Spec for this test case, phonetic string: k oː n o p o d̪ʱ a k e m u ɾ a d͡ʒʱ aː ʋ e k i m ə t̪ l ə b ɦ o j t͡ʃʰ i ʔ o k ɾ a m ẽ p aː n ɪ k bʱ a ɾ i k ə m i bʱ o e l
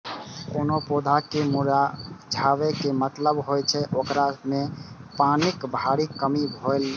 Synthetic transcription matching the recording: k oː n o p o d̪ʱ a k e m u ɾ a d͡ʒʱ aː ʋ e k e m ə t̪ l ə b ɦ o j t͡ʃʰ ɛ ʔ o k ɾ a m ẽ p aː n ɪ k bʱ a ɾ i k ə m i bʱ o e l